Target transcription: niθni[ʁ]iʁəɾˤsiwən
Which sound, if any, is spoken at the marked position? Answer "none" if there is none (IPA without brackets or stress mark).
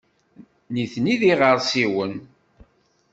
ð